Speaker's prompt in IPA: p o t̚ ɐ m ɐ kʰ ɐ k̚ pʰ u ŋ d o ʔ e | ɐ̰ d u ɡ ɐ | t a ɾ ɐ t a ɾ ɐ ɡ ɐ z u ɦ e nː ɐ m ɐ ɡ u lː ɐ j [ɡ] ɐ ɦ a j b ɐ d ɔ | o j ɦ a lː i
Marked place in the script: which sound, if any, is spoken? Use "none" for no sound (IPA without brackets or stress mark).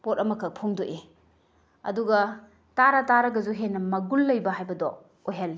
b